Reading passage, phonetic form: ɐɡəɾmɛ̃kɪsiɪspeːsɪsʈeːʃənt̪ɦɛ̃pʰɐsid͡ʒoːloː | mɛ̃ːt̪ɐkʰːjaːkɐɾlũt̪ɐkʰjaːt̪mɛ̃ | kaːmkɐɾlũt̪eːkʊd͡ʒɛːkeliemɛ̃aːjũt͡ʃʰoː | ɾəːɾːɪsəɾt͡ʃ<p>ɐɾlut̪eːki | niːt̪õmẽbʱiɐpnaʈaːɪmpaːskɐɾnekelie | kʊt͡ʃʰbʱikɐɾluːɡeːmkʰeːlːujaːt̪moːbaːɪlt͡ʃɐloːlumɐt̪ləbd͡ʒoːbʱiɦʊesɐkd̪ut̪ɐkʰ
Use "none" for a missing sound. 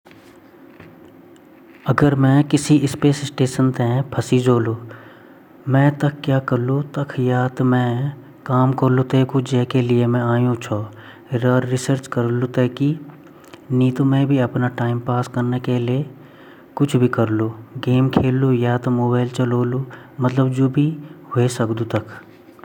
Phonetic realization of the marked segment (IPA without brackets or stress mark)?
k